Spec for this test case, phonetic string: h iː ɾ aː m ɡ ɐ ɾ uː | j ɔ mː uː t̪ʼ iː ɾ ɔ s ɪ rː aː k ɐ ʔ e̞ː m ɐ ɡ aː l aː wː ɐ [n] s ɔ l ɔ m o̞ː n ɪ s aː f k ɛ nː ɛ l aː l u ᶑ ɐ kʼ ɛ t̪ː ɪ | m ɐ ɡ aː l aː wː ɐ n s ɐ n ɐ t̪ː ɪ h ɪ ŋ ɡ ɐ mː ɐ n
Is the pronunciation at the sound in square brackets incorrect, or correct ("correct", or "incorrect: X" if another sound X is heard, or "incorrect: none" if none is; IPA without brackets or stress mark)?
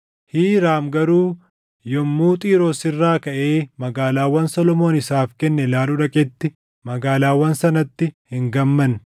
correct